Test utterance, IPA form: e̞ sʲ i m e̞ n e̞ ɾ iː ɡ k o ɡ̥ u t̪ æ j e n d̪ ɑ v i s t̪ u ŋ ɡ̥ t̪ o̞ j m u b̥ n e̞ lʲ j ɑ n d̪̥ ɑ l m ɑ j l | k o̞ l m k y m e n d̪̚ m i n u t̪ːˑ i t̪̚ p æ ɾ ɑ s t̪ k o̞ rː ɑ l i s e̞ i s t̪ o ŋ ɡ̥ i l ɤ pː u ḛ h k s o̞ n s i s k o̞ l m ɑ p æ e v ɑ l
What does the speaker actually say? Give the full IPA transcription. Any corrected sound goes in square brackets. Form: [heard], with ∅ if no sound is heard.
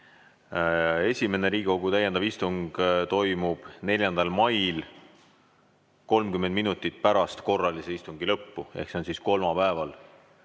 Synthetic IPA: e̞ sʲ i m e̞ n e̞ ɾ iː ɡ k o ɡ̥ u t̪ æ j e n d̪ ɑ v i s t̪ u ŋ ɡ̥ t̪ o̞ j m u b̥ n e̞ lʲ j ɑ n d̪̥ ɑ l m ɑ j l | k o̞ l m k y m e n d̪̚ m i n u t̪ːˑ i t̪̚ p æ ɾ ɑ s t̪ k o̞ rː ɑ l i s e̞ i s t̪ [u] ŋ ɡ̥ i l ɤ pː u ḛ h k s o̞ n s i s k o̞ l m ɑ p æ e v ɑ l